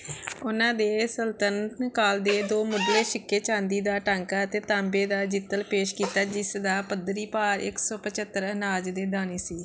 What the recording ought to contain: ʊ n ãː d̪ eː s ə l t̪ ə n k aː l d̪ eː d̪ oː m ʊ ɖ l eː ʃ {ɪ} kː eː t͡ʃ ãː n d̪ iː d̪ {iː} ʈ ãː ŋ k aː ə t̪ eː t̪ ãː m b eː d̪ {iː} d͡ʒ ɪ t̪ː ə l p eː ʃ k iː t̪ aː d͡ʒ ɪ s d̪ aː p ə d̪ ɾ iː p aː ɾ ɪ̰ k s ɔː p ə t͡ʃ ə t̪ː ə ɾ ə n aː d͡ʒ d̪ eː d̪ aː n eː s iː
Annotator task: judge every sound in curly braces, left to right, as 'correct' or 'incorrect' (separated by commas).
correct, incorrect, incorrect